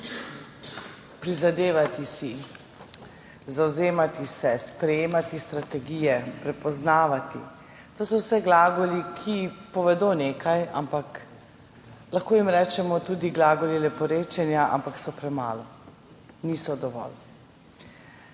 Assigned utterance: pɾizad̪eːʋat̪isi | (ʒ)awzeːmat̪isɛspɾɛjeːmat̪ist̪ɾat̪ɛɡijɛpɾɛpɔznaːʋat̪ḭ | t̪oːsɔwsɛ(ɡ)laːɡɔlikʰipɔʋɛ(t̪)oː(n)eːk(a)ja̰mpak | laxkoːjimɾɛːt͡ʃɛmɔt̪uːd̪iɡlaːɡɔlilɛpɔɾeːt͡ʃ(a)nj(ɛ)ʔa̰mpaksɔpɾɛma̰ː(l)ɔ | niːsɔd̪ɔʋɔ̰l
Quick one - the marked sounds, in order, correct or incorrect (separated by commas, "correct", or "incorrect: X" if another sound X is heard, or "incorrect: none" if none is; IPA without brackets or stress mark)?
incorrect: z, correct, incorrect: d̪, correct, correct, incorrect: ɛ, incorrect: a, correct